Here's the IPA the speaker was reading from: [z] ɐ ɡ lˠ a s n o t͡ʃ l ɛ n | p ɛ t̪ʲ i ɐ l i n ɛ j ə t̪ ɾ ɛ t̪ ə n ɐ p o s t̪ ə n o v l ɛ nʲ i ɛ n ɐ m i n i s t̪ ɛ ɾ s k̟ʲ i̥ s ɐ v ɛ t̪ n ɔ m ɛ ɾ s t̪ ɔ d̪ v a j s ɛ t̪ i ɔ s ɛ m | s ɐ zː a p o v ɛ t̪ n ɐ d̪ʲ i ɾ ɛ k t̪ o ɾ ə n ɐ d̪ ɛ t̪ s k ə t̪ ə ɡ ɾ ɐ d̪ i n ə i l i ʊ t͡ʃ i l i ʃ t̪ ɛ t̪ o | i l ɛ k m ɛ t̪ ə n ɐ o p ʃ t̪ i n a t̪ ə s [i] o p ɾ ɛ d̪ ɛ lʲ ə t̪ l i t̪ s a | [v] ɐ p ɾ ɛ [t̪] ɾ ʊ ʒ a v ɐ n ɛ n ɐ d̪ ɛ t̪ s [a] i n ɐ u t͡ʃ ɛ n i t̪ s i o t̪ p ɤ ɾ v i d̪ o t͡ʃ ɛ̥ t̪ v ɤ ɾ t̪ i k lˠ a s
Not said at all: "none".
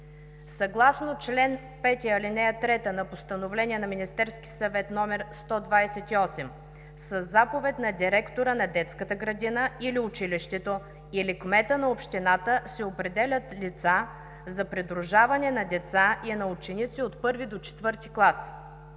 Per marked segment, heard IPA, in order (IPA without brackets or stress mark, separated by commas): s, ɛ, z, d̪, a